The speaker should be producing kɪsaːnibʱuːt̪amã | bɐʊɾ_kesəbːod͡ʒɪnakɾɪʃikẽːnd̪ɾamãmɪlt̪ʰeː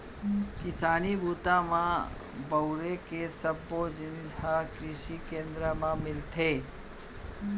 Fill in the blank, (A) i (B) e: B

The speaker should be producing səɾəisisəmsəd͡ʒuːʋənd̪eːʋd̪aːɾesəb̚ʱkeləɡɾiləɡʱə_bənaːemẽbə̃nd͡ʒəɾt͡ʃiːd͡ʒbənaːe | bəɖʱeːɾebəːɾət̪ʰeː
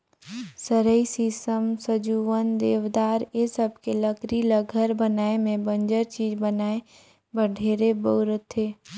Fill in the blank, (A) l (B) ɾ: B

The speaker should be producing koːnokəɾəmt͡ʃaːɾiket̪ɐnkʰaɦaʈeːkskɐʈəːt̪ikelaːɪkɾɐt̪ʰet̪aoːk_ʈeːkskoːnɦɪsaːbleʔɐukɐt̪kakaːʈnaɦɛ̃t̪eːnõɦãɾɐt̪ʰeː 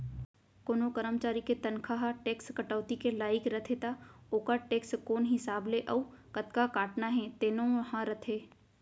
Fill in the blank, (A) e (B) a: B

